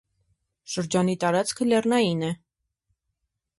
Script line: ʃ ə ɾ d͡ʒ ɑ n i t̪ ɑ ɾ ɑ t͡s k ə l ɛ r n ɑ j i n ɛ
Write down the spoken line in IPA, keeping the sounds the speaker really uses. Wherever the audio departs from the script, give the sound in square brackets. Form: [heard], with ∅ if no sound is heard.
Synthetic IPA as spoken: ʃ ə ɾ d͡ʒ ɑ n i t̪ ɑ ɾ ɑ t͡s [kʰ] ə l ɛ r n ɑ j i n ɛ